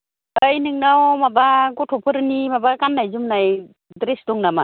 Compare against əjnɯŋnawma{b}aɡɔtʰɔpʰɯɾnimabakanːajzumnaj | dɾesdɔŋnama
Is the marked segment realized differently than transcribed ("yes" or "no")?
no